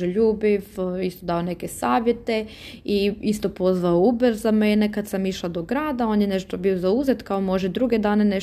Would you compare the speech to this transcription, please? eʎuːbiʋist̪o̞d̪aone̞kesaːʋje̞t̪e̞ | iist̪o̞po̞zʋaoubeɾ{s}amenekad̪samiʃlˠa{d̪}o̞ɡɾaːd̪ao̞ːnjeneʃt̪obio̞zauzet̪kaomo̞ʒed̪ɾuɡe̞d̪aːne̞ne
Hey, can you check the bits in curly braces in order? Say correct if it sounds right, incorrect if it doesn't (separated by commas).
incorrect, correct